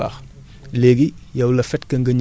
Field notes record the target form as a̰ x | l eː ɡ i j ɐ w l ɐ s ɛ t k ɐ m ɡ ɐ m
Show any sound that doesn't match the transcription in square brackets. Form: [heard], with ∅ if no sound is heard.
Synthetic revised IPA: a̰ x | l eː ɡ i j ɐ w l ɐ [f] ɛ t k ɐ [ŋ] ɡ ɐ [ɲ]